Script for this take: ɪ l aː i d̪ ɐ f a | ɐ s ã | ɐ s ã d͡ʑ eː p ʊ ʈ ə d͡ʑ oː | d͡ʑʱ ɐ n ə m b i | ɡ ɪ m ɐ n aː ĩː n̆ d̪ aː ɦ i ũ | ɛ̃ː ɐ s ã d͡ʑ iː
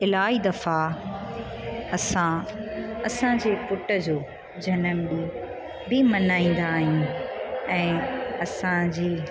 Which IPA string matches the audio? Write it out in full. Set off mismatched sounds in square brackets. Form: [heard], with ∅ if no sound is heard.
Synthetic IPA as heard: ɪ l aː i d̪ ɐ f a | ɐ s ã | ɐ s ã d͡ʑ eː p ʊ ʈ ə d͡ʑ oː | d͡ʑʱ ɐ n ə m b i | [b] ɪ m ɐ n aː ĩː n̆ d̪ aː ɦ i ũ | ɛ̃ː ɐ s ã d͡ʑ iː